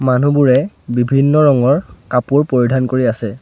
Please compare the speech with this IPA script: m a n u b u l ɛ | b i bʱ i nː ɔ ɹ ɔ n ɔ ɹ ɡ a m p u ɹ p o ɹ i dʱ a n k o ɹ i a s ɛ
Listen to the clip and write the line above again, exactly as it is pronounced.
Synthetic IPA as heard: m a n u b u ɹ ɛ | b i bʱ i nː ɔ ɹ ɔ ŋ ɔ ɹ k a p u ɹ p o ɹ i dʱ a n k o ɹ i a s ɛ